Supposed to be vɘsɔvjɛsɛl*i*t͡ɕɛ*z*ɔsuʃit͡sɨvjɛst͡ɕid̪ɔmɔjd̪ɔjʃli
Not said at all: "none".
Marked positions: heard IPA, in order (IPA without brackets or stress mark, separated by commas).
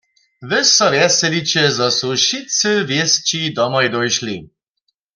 i, z